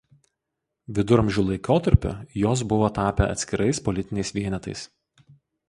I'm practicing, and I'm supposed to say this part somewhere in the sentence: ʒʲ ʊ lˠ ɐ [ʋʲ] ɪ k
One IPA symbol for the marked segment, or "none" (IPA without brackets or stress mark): none